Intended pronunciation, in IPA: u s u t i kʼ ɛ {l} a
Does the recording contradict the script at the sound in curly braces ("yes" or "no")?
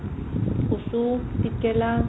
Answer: no